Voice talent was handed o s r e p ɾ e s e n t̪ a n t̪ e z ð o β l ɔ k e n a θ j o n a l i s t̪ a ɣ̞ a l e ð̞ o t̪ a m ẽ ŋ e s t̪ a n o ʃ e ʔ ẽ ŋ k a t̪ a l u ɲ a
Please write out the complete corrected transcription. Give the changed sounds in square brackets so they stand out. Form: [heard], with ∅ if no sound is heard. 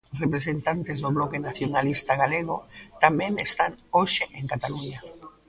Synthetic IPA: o s r e p ɾ e s e n t̪ a n t̪ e z ð o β l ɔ k e n a θ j o n a l i s t̪ a ɣ̞ a l e [ɣ̞] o t̪ a m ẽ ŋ e s t̪ a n o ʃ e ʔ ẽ ŋ k a t̪ a l u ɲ a